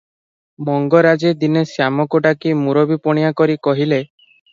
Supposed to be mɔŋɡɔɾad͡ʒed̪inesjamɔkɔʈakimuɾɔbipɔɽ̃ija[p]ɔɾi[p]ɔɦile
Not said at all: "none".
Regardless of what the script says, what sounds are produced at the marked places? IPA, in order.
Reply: k, k

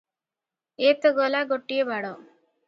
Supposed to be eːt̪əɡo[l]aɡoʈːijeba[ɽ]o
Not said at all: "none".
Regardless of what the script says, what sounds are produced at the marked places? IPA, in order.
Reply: l, ɽ

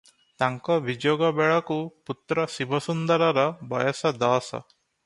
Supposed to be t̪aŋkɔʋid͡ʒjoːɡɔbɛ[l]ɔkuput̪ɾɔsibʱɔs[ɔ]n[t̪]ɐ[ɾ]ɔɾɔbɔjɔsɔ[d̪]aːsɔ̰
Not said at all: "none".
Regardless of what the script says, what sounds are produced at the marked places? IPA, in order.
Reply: ɭ, u, d̪, ɾ, d̪

